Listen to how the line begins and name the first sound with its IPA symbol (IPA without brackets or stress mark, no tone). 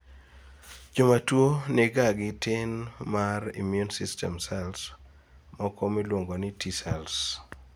d͡ʒ